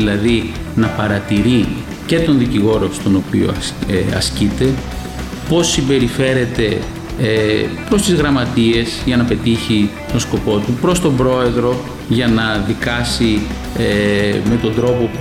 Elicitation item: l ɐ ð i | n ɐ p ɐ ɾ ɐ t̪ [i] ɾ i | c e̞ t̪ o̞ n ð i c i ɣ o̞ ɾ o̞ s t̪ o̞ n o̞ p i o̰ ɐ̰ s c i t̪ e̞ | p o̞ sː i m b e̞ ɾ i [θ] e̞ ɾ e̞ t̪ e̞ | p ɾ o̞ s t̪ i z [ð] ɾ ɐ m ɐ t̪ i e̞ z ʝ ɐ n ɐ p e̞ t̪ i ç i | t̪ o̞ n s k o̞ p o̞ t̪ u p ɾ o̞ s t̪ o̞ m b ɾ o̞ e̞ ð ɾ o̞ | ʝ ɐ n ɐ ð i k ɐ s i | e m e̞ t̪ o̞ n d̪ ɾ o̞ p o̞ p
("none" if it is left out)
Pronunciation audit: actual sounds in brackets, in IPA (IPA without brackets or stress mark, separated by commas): i, f, ɣ